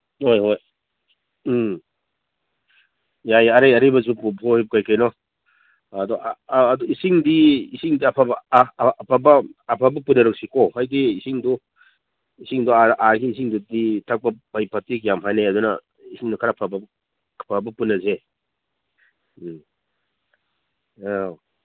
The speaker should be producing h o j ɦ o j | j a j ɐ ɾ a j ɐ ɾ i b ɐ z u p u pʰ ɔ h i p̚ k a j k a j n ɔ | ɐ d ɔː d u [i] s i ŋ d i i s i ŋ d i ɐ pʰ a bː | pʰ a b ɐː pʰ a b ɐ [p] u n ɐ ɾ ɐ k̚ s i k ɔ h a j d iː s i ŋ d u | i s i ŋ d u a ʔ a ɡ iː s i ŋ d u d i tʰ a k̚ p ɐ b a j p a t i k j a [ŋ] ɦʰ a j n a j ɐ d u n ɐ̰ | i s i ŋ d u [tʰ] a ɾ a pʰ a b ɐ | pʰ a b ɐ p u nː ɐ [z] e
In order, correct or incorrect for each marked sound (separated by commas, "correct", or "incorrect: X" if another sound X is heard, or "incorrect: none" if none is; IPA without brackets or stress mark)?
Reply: correct, correct, incorrect: m, incorrect: kʰ, correct